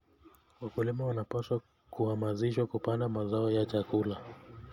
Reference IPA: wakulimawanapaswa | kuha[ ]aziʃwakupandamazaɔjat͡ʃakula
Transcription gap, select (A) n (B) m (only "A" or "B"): B